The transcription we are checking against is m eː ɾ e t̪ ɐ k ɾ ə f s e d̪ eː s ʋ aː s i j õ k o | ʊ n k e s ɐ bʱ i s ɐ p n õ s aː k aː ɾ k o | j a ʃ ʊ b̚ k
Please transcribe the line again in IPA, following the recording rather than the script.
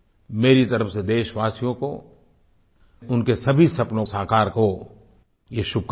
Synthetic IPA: m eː ɾ i t̪ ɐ ɾ ə f s e d̪ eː ʃ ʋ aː s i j õ k o | ʊ n k e s ɐ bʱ i s ɐ p n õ s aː k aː ɾ k o | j e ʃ ʊ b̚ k